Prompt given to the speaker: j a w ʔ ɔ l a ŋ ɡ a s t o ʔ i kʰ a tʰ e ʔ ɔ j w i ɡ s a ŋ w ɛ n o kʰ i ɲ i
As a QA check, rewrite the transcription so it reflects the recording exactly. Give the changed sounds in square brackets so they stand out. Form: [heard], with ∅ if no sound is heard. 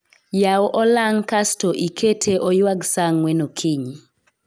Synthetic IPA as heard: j a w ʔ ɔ l a ŋ [k] a s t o ʔ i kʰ [e] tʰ e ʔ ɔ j w [a] ɡ s a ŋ w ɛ n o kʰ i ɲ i